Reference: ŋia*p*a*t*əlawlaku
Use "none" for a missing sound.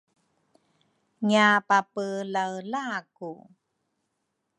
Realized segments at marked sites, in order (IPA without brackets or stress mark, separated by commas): p, p